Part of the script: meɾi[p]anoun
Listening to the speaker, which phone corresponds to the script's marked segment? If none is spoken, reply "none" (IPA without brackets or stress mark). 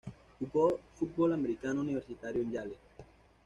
k